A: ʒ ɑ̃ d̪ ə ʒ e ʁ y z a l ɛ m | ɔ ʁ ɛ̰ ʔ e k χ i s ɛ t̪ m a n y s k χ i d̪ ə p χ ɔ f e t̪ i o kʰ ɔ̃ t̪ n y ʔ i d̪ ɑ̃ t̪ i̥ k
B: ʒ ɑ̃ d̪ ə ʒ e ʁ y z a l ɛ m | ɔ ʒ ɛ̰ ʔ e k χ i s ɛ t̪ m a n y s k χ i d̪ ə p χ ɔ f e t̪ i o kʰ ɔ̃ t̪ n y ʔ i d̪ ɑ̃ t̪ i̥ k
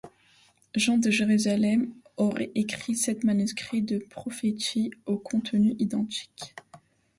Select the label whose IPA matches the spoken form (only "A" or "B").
A